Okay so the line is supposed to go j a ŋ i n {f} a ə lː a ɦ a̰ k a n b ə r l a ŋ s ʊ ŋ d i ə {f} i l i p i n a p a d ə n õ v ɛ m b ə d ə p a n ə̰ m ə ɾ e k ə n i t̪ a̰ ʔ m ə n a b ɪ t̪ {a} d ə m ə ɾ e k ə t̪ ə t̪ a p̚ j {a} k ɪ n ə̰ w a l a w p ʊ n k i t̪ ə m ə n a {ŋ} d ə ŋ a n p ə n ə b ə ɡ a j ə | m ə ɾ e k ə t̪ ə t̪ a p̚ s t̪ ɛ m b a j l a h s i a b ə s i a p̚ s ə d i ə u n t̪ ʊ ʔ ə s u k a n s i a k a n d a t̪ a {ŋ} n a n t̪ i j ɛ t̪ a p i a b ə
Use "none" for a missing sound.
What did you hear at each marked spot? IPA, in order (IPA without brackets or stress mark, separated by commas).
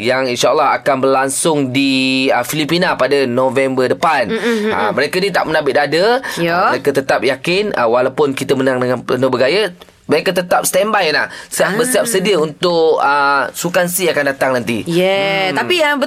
ʃ, f, a, a, ŋ, ŋ